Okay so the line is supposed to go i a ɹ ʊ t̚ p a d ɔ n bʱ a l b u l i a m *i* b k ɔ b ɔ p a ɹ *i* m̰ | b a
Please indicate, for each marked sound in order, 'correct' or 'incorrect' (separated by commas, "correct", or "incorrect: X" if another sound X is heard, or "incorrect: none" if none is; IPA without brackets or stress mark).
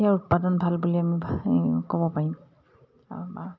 correct, correct